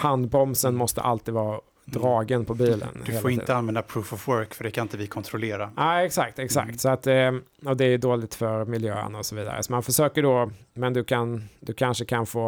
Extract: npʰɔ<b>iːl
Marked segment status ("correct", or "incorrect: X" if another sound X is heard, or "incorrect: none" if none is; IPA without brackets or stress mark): correct